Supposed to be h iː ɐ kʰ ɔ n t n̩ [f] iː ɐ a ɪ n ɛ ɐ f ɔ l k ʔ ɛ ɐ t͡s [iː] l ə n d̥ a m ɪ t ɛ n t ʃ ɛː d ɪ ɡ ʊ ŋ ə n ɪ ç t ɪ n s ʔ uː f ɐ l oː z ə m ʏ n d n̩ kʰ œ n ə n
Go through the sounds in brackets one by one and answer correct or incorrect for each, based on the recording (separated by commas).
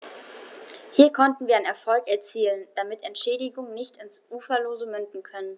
incorrect, correct